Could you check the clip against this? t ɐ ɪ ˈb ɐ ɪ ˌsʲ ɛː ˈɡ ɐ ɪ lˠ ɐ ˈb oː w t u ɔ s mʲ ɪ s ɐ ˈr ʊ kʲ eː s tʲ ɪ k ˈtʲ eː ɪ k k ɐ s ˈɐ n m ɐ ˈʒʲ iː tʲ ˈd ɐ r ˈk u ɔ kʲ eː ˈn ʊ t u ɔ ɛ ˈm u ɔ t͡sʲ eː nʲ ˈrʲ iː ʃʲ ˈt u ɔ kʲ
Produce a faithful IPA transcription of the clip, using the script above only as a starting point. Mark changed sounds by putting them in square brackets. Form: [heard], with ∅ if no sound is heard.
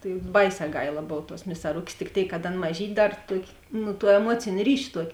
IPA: t ɐ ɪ ˈb ɐ ɪ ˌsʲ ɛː ˈɡ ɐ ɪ lˠ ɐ ˈb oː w t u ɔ s mʲ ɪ s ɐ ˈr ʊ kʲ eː s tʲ ɪ k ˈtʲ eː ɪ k k ɐ [t] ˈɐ n m ɐ ˈʒʲ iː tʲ ˈd ɐ r [ˈt] u ɔ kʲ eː ˈn ʊ t u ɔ ɛ ˈm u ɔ t͡sʲ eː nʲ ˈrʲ iː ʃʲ ˈt u ɔ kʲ